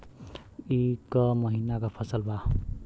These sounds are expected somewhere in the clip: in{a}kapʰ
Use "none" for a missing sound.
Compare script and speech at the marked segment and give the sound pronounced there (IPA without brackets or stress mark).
a